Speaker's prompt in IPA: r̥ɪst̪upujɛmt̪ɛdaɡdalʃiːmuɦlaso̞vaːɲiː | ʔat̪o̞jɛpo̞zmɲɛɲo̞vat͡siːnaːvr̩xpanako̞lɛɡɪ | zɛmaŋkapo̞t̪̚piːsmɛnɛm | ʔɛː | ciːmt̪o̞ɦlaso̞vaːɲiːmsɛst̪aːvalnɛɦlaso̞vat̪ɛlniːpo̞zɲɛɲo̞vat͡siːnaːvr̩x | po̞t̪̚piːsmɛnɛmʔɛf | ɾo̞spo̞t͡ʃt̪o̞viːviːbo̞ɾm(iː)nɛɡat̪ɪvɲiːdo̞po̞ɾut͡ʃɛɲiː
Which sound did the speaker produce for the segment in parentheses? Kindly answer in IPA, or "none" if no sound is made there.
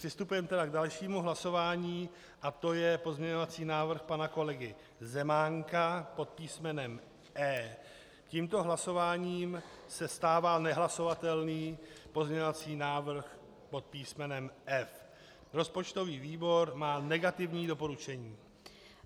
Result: aː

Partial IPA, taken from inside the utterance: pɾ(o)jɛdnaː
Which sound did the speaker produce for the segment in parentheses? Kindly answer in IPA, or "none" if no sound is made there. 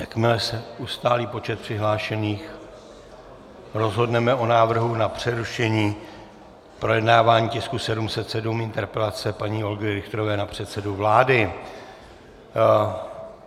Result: o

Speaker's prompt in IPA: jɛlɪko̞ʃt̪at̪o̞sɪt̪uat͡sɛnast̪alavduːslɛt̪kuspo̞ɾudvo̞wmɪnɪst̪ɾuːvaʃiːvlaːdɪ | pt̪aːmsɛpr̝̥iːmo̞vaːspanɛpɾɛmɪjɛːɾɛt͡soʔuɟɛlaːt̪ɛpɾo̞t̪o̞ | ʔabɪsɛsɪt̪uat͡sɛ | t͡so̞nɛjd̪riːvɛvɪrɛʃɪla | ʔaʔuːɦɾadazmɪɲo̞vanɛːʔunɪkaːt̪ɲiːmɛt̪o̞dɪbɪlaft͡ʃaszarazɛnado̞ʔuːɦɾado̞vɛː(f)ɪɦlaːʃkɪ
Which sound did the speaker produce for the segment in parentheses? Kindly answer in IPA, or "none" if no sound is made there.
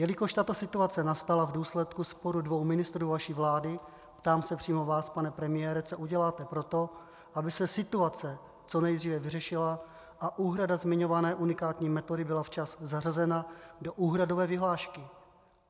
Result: v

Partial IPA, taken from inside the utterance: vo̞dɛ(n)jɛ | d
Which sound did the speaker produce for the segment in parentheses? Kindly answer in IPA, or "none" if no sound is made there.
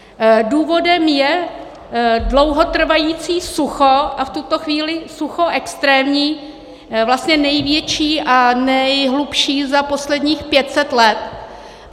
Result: m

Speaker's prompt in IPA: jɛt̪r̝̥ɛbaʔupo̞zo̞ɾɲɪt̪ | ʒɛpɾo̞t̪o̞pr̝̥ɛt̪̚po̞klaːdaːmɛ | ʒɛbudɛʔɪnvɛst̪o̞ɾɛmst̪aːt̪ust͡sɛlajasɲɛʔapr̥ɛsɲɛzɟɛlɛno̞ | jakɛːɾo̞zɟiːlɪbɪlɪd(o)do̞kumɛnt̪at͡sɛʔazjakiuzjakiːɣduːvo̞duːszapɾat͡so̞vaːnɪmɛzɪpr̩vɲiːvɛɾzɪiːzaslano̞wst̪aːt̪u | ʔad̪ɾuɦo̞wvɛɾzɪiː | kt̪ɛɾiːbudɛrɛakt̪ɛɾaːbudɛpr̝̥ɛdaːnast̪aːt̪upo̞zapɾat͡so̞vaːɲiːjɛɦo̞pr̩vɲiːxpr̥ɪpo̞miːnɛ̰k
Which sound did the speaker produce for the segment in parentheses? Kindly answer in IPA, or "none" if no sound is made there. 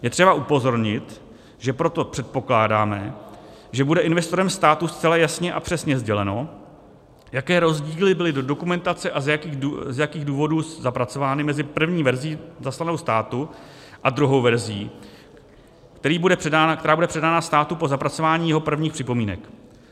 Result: o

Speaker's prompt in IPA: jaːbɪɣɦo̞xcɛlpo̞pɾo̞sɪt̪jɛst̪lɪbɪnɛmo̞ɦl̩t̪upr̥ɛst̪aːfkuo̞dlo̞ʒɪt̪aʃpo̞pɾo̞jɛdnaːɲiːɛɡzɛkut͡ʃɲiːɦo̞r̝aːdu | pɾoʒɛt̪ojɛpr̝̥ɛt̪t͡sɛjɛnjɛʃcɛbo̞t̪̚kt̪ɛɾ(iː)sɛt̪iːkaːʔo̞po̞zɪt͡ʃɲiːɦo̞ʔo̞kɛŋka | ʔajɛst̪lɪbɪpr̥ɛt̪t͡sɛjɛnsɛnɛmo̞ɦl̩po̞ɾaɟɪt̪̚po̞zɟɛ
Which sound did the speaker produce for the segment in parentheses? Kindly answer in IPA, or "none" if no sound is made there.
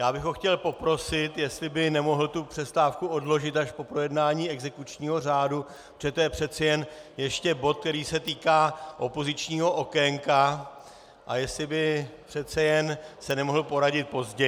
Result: iː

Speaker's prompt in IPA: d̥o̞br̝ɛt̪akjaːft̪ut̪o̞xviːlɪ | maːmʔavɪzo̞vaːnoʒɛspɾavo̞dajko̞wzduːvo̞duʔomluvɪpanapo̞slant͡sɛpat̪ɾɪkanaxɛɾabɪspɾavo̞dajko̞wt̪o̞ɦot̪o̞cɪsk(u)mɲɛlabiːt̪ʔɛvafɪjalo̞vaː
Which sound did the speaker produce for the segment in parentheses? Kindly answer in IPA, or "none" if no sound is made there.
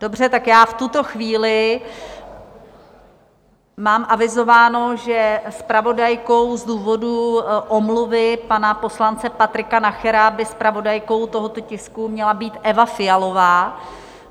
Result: u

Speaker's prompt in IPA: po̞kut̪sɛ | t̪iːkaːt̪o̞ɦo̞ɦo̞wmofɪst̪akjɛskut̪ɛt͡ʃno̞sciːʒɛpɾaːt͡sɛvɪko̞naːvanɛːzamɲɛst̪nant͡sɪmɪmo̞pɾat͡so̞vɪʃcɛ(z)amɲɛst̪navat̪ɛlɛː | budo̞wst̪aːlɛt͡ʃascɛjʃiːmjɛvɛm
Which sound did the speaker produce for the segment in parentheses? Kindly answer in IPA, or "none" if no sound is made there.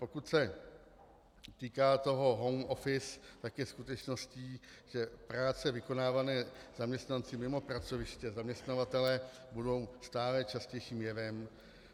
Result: z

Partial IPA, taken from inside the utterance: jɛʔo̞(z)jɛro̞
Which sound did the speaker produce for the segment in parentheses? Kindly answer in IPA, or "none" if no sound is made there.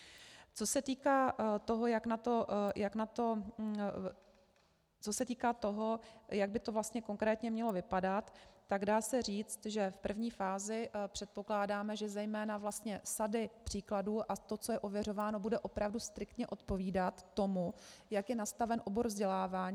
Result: v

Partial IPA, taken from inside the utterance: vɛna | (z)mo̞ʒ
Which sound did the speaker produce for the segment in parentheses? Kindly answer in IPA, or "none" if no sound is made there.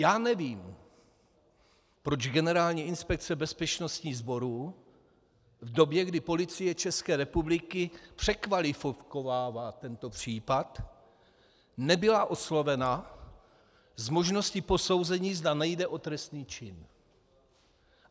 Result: z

